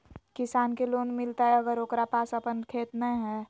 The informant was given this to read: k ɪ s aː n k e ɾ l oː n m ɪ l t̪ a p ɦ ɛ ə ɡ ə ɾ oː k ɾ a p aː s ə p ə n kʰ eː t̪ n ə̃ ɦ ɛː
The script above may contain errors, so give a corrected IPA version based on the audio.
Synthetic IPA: k ɪ s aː n k e l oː n m ɪ l t̪ a ɦ ɛ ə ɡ ə ɾ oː k ɾ a p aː s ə p ə n kʰ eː t̪ n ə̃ ɦ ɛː